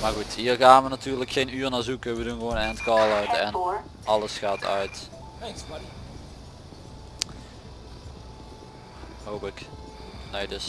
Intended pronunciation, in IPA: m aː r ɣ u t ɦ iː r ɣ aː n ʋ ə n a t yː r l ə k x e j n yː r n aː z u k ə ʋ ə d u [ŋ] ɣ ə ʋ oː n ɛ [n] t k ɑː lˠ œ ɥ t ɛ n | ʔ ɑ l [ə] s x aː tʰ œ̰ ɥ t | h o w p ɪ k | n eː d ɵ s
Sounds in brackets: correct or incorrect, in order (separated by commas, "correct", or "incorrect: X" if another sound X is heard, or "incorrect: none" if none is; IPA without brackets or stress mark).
incorrect: n, correct, correct